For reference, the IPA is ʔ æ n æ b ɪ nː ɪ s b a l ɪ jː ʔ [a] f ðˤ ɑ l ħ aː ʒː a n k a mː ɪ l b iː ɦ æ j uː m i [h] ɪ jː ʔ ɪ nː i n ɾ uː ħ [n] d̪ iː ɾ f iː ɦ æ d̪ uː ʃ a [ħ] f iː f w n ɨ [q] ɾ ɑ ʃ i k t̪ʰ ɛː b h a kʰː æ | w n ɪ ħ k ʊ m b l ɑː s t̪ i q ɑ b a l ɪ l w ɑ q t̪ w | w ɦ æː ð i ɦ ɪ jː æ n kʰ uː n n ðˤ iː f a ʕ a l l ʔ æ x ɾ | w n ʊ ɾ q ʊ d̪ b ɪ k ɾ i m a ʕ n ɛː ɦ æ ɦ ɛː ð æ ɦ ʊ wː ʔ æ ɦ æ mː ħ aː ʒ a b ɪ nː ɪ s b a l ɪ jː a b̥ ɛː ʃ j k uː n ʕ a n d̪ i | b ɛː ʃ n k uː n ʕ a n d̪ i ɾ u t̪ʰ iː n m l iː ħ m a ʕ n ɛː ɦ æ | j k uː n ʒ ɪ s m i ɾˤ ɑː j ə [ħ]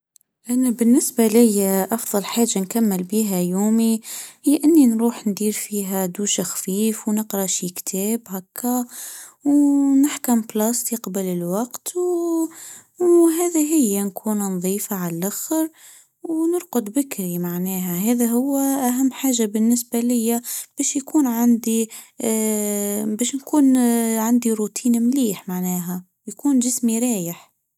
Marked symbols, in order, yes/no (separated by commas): no, yes, yes, no, yes, yes